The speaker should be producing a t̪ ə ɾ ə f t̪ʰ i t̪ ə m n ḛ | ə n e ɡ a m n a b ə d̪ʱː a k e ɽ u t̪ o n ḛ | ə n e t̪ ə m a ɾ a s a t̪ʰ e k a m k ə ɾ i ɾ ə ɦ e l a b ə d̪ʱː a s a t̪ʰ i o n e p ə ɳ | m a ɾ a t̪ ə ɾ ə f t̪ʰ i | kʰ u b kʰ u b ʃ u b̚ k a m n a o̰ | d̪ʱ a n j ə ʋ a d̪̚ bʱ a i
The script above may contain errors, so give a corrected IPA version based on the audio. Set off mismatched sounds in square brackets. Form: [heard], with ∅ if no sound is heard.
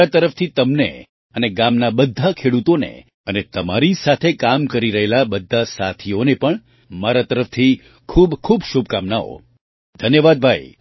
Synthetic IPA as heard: a t̪ ə ɾ ə f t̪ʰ i t̪ ə m n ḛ | ə n e ɡ a m n a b ə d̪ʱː a [kʰ] e ɽ u t̪ o n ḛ | ə n e t̪ ə m a ɾ [i] s a t̪ʰ e k a m k ə ɾ i ɾ ə ɦ e l a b ə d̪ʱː a s a t̪ʰ i o n e p ə ɳ | m a ɾ a t̪ ə ɾ ə f t̪ʰ i | kʰ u b kʰ u b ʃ u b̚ k a m n a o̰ | d̪ʱ [ə] n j ə ʋ a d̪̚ bʱ a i

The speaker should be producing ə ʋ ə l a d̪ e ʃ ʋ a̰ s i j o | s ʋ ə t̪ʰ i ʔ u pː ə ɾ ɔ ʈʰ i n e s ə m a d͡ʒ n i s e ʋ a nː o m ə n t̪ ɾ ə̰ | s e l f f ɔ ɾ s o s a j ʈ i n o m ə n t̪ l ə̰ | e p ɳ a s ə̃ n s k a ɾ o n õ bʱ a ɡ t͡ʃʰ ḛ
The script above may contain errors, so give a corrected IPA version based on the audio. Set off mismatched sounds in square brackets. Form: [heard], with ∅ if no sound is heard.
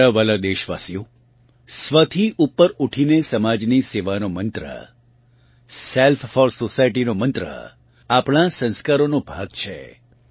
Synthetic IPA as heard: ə ʋ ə l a d̪ e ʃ ʋ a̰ s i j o | s ʋ ə t̪ʰ i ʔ u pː ə ɾ [u] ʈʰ i n e s ə m a d͡ʒ n i s e ʋ a [n] o m ə n t̪ ɾ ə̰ | s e l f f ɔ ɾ s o s a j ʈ i n o m ə n t̪ [ɾ] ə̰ | [a] p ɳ a s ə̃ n s k a ɾ o n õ bʱ a ɡ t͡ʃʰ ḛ

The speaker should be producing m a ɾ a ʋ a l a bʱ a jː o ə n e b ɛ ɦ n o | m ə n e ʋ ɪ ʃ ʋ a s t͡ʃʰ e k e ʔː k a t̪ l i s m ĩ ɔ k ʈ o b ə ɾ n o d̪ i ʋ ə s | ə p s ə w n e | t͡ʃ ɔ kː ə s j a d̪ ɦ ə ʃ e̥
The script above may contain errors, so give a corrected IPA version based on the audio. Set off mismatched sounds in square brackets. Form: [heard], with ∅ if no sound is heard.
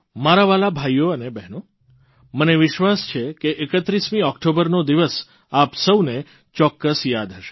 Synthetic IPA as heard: m a ɾ a ʋ a l a bʱ a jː o ə n e b ɛ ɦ n o | m ə n e ʋ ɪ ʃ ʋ a s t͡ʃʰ e k e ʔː k [ə] t̪ [ɾ] i s m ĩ ɔ k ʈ o b ə ɾ n o d̪ i ʋ ə s | [a] p s ə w n e | t͡ʃ ɔ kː ə s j a d̪ ɦ ə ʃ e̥

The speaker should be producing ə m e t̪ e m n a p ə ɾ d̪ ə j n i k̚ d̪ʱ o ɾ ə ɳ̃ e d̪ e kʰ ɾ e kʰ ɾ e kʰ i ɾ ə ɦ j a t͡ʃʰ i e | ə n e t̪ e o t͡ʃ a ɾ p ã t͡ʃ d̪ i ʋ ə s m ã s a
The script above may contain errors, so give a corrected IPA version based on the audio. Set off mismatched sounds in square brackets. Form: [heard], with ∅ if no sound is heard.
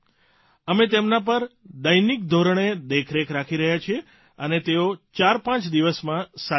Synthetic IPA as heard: ə m e t̪ e m n a p ə ɾ d̪ ə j n i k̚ d̪ʱ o ɾ ə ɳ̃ e d̪ e kʰ ɾ e kʰ ɾ [a] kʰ i ɾ ə ɦ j a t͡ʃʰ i e | ə n e t̪ e o t͡ʃ a ɾ p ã t͡ʃ d̪ i ʋ ə s m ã s a

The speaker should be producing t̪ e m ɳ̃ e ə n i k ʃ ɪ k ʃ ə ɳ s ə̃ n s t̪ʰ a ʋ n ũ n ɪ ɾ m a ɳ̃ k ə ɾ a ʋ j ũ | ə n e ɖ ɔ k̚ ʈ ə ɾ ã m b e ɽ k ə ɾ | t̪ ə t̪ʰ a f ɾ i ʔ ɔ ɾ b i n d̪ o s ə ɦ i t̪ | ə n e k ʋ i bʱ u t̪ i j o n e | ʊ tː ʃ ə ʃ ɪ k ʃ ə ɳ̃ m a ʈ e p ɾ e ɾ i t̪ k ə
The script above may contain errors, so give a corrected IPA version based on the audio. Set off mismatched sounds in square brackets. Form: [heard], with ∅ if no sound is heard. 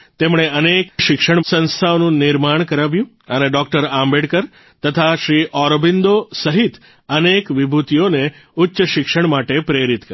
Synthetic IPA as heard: t̪ e m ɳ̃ e ə n [e] k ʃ ɪ k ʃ ə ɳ s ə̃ n s t̪ʰ a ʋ n ũ n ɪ ɾ m a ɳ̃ k ə ɾ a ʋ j ũ | ə n e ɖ ɔ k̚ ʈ ə ɾ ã m b e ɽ k ə ɾ | t̪ ə t̪ʰ a [ʃ] ɾ i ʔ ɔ ɾ b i n d̪ o s ə ɦ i t̪ | ə n e k ʋ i bʱ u t̪ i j o n e | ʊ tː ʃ ə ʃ ɪ k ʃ ə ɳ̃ m a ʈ e p ɾ e ɾ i t̪ k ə

